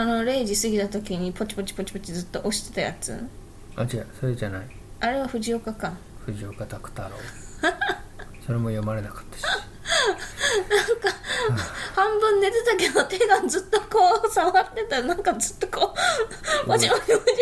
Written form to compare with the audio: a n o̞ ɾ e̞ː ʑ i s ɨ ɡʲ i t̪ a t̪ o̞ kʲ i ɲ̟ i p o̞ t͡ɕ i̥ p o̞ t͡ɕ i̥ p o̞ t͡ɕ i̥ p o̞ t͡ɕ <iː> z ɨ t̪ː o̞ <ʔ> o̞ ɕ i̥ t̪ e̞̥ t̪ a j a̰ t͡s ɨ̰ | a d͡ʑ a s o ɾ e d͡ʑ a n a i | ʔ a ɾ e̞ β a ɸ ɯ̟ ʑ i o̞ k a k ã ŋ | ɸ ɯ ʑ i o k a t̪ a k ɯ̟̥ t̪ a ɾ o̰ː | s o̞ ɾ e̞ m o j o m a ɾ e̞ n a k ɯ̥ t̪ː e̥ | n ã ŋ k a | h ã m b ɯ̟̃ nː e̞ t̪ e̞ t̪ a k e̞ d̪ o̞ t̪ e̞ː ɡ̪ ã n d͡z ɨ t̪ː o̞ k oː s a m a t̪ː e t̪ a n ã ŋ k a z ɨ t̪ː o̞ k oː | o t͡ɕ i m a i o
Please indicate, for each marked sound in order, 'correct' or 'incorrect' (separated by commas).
incorrect, correct